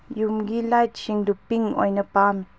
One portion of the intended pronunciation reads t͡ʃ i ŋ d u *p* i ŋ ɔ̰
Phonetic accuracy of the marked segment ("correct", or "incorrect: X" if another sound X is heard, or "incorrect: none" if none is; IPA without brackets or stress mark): correct